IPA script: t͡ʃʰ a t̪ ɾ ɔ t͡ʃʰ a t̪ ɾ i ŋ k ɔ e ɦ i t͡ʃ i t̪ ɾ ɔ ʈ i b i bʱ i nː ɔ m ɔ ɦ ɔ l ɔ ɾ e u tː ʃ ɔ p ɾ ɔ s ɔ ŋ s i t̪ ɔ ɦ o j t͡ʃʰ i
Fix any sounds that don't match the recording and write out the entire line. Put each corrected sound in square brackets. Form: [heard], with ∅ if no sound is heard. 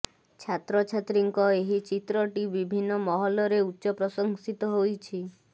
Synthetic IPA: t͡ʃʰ a t̪ ɾ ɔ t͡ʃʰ a t̪ ɾ i ŋ k ɔ e ɦ i t͡ʃ i t̪ ɾ ɔ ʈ i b i bʱ i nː ɔ m ɔ ɦ ɔ l ɔ ɾ e u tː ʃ ɔ p ɾ ɔ s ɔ ŋ s i t̪ ɔ ɦ o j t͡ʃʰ i